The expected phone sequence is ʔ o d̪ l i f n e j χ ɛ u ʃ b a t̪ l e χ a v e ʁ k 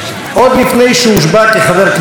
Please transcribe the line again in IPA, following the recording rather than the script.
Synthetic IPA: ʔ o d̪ l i f n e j ʃ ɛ u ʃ b a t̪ l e χ a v e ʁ k